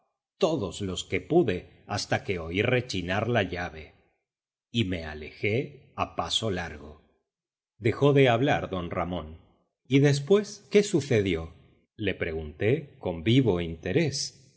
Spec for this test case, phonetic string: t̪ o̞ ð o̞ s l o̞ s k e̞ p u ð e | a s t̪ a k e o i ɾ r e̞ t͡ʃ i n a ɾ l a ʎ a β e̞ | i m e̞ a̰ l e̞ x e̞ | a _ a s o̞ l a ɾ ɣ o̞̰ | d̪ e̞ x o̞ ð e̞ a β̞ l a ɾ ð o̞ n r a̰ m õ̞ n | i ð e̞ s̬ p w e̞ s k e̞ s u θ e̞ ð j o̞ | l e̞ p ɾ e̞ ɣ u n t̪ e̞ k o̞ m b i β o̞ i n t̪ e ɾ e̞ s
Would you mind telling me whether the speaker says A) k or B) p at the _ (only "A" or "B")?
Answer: B